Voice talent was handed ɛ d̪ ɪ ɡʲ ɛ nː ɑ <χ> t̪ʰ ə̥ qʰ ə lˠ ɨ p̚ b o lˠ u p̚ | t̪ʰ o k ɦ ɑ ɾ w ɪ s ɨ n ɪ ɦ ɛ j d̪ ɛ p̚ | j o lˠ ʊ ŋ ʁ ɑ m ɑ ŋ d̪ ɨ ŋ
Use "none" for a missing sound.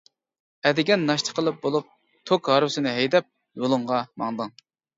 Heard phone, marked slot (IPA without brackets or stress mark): ʃ